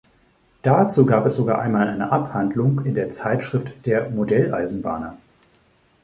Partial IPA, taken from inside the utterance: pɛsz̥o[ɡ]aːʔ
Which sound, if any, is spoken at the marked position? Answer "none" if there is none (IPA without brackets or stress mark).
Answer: ɡ